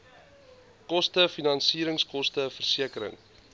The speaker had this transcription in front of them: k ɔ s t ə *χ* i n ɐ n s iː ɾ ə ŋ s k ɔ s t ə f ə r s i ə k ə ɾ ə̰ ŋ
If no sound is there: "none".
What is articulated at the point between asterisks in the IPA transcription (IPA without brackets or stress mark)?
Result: f